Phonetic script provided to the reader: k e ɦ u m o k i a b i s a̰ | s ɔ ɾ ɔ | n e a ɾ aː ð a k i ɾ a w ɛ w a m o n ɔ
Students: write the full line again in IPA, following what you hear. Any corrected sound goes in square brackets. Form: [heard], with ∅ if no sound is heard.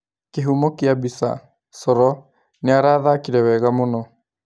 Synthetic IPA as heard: k e ɦ u m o k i a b i s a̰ | s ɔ ɾ ɔ | n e a ɾ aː ð a k i ɾ [ɛ] w ɛ [ɣ] a m o n ɔ